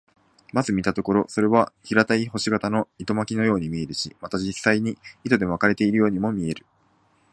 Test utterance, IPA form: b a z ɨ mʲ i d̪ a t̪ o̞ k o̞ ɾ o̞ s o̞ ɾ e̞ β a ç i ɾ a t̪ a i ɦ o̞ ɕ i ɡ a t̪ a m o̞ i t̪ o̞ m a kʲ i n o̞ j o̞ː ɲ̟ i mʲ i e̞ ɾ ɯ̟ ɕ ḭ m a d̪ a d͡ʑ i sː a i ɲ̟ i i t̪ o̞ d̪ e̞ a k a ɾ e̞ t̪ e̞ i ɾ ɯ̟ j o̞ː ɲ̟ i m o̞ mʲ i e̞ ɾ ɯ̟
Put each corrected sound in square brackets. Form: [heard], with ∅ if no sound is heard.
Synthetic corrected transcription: [m] a z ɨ mʲ i [t̪] a t̪ o̞ k o̞ ɾ o̞ s o̞ ɾ e̞ β a ç i ɾ a t̪ a i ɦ o̞ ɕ i ɡ a t̪ a [n] o̞ i t̪ o̞ m a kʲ i n o̞ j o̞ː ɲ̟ i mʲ i e̞ ɾ ɯ̟ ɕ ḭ m a [t̪] a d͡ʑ i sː a i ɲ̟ i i t̪ o̞ d̪ e̞ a k a ɾ e̞ t̪ e̞ i ɾ ɯ̟ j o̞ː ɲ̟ i m o̞ mʲ i e̞ ɾ ɯ̟